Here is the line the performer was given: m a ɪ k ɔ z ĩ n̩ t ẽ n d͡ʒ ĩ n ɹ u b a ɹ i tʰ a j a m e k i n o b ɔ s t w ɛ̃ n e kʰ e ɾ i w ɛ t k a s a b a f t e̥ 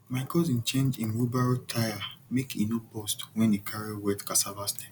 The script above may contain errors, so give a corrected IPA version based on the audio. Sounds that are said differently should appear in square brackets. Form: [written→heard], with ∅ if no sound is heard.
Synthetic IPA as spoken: m a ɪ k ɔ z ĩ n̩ [t→t͡ʃ] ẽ n d͡ʒ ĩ n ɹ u b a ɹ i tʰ a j a m e k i n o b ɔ s t w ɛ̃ n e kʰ [e→a] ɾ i w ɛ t k a s a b a [f→s] t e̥